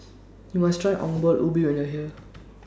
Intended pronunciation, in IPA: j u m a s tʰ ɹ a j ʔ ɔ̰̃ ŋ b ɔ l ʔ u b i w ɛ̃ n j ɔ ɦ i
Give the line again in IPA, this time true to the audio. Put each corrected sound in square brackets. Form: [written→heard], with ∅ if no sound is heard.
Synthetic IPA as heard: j u m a s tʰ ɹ a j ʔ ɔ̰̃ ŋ b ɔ l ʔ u b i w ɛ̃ n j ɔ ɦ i